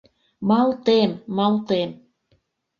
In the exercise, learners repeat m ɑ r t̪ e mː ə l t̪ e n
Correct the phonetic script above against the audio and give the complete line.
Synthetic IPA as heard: m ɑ l t̪ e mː ɑ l t̪ e m

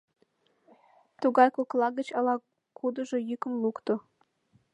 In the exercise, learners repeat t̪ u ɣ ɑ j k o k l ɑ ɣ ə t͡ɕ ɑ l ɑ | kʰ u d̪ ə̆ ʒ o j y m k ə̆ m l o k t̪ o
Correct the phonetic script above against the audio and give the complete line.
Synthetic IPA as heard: t̪ u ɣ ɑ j k o k l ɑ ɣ ə t͡ɕ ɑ l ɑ | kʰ u d̪ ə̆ ʒ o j y k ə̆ m l u k t̪ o

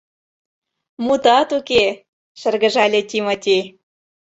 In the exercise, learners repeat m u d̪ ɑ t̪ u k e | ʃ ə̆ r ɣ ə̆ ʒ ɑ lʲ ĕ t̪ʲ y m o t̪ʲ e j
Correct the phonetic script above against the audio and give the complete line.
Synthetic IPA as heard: m u t̪ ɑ t̪ u k e | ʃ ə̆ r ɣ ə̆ ʒ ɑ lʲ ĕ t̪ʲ i m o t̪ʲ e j

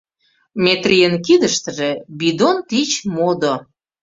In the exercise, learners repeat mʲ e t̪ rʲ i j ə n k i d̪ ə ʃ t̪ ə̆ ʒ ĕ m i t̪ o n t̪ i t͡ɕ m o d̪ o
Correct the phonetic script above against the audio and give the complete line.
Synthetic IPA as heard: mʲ e t̪ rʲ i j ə n k i d̪ ə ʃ t̪ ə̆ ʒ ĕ b i d̪ o n t̪ i t͡ɕ m o d̪ o

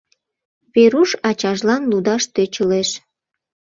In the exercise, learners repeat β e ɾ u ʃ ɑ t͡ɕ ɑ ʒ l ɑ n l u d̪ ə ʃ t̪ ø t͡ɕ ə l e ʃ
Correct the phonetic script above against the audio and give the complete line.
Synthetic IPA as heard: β e ɾ u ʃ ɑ t͡ɕ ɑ ʒ l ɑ n l u d̪ ɑ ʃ t̪ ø t͡ɕ ə l e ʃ

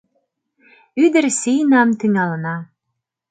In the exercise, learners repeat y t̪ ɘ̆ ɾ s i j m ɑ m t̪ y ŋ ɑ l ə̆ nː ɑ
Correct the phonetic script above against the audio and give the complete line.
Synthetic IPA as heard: y d̪ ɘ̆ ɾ s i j n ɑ m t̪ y ŋ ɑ l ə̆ n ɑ

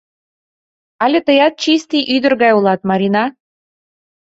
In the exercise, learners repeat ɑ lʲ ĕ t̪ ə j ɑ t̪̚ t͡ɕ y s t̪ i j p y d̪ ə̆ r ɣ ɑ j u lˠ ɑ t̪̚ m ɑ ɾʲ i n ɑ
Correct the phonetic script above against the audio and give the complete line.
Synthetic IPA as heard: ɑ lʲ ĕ t̪ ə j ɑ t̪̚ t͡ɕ i s t̪ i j ʔ y d̪ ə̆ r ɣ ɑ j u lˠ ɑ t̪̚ m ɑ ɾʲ i n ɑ

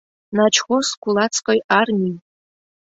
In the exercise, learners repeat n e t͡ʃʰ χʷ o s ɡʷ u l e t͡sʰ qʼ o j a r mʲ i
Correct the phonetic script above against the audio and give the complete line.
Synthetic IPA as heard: n a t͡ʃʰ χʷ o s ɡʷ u l a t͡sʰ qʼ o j a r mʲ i

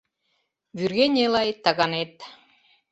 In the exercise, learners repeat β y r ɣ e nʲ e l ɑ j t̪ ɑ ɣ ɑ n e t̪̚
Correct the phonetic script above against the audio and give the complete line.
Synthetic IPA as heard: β y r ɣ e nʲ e l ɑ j t̪ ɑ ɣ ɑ n e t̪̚

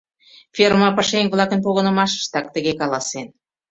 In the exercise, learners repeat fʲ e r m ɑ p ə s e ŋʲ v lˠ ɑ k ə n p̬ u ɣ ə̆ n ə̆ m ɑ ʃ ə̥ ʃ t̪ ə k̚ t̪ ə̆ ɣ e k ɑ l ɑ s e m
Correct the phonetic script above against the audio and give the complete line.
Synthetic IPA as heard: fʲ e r m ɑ p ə ʃ e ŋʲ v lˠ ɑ k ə n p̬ o ɣ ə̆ n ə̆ m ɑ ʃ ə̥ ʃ t̪ ɑ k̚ t̪ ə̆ ɣ e k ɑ l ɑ s e n

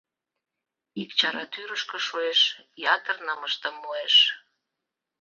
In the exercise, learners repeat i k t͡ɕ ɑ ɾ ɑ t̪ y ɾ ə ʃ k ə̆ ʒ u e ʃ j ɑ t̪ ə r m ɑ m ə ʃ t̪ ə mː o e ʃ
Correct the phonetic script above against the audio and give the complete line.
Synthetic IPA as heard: i k t͡ɕ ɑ ɾ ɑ t̪ y ɾ ə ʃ k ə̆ ʃ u e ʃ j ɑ t̪ ə r n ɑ m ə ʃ t̪ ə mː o e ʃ

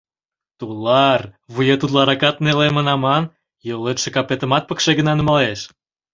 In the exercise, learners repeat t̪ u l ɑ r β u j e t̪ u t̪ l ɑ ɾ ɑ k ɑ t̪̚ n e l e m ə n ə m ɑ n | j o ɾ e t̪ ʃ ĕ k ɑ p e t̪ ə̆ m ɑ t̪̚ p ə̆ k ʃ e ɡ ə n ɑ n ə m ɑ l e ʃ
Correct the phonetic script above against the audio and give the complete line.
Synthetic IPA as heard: t̪ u l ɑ r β u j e t̪ u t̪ l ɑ ɾ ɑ k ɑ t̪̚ n e l e m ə n ɑ m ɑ n | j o l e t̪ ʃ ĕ k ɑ p e t̪ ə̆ m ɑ t̪̚ p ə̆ k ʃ e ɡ ə n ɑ n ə m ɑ l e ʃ

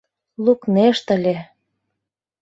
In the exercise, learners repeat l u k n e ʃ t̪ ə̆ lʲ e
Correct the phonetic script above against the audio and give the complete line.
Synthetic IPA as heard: l u k n e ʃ t̪ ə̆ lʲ e

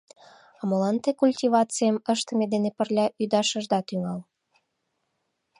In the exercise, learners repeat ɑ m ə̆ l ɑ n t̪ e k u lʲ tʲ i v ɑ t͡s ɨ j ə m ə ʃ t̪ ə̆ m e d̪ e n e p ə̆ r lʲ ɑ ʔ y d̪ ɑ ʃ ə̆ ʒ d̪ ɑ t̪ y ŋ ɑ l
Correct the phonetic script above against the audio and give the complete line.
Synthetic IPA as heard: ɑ m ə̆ l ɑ n t̪ e k u lʲ tʲ i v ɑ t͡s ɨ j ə m ə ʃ t̪ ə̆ m e d̪ e n e p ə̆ r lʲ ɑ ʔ y d̪ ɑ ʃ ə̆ ʒ d̪ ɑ t̪ y ŋ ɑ l

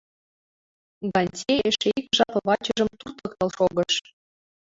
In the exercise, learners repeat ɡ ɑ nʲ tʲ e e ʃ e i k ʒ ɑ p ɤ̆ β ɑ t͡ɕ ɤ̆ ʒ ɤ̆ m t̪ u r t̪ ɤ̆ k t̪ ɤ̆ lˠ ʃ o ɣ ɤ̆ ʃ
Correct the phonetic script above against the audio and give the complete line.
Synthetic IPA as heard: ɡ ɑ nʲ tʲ e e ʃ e i k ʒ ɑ p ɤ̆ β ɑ t͡ɕ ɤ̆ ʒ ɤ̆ m t̪ u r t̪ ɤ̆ k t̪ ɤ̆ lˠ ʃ o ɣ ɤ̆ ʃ

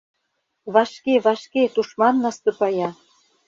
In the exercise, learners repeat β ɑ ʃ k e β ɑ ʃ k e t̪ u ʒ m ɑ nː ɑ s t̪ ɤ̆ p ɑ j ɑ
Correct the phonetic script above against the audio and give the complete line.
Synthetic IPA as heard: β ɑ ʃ k e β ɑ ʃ k e t̪ u ʃ m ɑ nː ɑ s t̪ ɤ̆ p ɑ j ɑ

